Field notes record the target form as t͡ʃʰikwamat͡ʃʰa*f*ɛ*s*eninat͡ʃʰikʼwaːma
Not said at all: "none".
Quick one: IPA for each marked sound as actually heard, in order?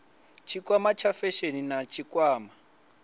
f, ʃ

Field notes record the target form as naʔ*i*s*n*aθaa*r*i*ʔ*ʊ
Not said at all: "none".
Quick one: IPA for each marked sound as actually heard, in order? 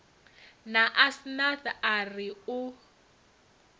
a, n, r, none

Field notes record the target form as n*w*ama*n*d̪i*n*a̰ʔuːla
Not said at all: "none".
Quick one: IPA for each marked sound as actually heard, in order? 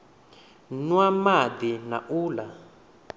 w, none, n

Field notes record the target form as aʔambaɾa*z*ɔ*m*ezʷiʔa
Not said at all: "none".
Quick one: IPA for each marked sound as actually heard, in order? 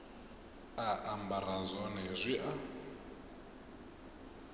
z, n

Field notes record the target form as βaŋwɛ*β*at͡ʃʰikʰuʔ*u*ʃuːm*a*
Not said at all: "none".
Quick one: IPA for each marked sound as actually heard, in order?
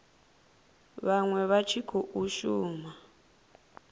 β, u, a

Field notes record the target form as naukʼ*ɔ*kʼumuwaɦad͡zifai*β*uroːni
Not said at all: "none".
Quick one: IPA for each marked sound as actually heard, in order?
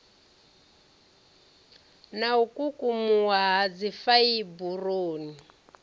u, b

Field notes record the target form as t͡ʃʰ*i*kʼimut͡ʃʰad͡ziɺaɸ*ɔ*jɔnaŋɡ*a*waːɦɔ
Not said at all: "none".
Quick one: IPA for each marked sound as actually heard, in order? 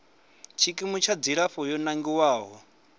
i, ɔ, i

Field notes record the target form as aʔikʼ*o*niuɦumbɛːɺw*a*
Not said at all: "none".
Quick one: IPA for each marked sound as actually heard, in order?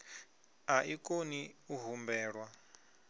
o, a

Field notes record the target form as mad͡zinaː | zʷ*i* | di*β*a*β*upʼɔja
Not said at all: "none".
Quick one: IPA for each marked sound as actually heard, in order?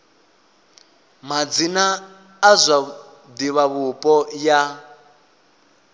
a, β, β

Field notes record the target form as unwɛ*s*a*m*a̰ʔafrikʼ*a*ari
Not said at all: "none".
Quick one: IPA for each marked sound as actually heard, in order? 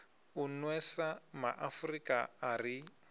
s, m, a

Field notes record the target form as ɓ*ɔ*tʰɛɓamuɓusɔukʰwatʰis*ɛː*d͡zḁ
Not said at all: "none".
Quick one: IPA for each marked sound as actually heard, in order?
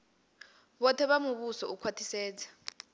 ɔ, ɛː

